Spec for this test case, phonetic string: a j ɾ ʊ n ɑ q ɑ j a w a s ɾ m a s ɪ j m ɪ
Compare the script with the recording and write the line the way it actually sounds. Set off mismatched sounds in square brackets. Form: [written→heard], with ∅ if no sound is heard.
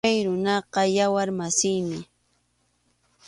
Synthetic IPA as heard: a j ɾ ʊ n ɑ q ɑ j a w a [s→∅] ɾ m a s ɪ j m ɪ